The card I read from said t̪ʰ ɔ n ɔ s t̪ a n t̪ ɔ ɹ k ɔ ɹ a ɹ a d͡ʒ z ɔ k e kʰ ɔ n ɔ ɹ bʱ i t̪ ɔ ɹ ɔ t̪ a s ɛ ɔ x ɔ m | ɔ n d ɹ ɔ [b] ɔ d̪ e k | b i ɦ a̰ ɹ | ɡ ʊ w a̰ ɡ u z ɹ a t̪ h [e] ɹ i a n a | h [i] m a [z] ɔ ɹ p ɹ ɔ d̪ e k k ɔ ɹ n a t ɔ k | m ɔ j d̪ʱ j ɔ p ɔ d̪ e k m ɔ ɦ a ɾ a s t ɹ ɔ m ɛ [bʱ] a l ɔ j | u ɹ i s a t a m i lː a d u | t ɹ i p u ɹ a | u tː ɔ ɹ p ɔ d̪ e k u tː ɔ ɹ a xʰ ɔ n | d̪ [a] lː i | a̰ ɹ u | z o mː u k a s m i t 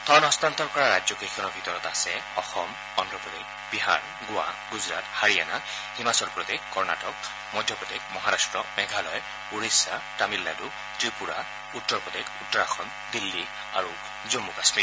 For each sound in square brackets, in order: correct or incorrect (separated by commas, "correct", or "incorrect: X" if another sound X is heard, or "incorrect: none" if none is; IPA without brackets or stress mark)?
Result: incorrect: p, incorrect: a, correct, incorrect: s, incorrect: ɡʱ, incorrect: i